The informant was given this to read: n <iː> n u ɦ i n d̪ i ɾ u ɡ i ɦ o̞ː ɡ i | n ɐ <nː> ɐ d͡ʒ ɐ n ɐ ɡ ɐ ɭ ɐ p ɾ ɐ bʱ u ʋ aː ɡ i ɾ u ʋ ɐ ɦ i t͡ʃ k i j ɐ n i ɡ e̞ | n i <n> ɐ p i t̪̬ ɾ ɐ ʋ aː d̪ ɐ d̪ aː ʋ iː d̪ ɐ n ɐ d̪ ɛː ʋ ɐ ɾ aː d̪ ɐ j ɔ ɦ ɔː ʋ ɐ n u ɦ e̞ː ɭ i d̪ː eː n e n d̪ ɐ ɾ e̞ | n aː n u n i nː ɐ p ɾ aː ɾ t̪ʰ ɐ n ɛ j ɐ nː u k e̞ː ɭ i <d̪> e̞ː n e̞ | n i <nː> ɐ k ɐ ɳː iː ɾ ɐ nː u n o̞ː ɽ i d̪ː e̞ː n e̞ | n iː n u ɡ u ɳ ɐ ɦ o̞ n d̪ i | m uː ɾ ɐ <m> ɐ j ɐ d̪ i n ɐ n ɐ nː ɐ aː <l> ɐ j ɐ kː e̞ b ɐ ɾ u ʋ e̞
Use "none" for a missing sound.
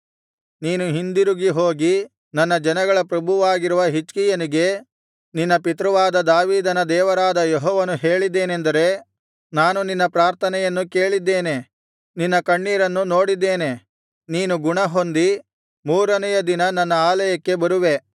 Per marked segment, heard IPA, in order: iː, nː, nː, d̪ː, nː, n, l

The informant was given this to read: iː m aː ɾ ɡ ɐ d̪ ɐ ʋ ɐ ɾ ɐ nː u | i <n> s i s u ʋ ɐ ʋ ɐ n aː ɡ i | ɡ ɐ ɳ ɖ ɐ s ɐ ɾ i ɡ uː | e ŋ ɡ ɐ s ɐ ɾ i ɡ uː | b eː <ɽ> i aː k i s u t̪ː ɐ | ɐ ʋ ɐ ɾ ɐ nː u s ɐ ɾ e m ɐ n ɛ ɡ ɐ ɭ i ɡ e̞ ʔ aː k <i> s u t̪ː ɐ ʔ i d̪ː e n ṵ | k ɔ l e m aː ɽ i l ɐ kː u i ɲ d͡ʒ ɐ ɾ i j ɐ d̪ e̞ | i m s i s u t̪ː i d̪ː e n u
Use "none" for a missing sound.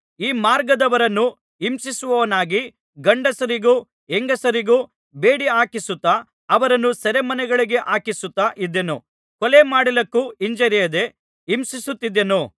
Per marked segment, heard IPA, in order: m, ɽ, i

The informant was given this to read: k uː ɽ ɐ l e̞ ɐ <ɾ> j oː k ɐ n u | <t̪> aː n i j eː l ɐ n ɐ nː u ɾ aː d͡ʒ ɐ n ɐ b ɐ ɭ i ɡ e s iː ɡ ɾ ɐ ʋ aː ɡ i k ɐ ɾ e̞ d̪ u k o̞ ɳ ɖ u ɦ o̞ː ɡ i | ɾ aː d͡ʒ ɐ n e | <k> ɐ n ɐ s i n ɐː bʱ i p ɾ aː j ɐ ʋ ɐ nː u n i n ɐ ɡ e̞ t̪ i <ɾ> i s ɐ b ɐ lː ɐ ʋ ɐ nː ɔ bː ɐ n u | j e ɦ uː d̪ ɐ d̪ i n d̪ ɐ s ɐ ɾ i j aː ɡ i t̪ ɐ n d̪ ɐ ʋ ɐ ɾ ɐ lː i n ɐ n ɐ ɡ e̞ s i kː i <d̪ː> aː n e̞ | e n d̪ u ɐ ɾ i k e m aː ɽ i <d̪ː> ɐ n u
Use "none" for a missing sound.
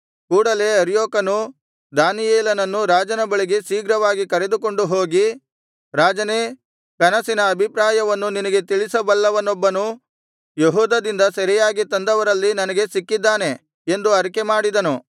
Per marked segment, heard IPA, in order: ɾ, d̪, k, ɭ, d̪ː, d̪

